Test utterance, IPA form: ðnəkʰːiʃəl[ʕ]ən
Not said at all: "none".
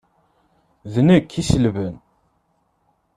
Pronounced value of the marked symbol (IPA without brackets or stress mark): v